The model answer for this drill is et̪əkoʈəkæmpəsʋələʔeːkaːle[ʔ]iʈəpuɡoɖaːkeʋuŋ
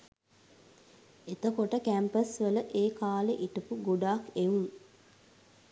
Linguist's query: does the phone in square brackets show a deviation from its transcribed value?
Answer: no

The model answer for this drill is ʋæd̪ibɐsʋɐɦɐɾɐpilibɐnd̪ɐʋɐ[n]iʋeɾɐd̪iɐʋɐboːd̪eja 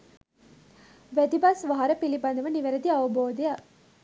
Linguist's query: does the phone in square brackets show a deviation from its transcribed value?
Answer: no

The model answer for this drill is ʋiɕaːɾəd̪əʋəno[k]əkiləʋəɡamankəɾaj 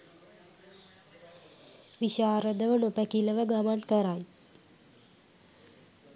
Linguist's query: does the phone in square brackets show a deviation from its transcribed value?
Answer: yes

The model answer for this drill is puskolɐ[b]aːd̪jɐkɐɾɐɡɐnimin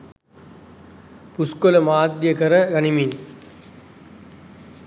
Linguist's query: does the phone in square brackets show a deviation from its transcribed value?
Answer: yes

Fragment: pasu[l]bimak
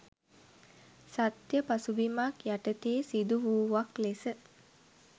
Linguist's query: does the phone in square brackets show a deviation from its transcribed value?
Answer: yes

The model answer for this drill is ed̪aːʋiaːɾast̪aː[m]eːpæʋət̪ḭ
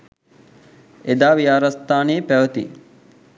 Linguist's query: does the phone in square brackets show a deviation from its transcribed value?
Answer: yes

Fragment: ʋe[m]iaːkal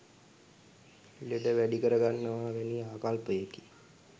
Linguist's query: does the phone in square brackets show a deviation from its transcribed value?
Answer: yes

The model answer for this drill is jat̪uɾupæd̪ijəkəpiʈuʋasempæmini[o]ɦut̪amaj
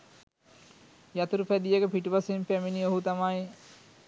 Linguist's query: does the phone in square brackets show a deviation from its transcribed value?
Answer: no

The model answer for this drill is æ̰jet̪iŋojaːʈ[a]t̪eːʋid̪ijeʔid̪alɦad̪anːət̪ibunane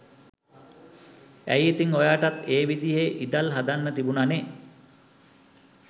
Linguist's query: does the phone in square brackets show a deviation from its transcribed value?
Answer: no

